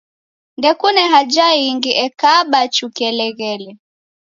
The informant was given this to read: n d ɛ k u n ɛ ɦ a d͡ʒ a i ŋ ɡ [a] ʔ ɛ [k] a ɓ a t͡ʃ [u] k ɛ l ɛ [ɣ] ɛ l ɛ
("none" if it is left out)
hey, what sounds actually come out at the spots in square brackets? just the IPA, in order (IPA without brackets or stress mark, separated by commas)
i, k, u, ɣ